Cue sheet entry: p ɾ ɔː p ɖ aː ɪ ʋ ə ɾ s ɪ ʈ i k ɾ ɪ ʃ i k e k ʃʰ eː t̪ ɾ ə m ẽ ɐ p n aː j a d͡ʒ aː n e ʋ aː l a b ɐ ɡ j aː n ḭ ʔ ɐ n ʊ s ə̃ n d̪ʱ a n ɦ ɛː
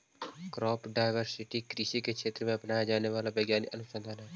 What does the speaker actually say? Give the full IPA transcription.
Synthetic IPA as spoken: k ɾ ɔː p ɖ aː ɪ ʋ ə ɾ s ɪ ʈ i k ɾ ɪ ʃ i k e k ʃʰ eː t̪ ɾ ə m ẽ ɐ p n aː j a d͡ʒ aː n e ʋ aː l a b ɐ ɡ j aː n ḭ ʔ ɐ n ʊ s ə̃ n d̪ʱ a n ɦ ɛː